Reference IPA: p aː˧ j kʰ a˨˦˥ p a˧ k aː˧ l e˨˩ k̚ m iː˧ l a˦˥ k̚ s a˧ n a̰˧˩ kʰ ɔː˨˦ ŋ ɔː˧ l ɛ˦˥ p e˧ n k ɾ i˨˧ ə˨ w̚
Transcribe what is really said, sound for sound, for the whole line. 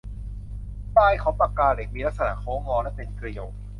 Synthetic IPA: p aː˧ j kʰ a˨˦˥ p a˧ k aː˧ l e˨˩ k̚ m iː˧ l a˦˥ k̚ s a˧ n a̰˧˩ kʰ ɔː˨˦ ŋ ɔː˧ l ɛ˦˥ p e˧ n k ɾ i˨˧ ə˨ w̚